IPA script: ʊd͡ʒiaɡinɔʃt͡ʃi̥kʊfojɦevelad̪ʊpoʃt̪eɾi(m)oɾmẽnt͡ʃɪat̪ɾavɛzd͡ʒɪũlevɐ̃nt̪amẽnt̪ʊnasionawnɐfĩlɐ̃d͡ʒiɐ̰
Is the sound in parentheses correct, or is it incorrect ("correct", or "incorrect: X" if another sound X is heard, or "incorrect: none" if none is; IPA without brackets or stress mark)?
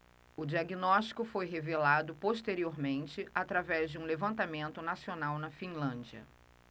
incorrect: none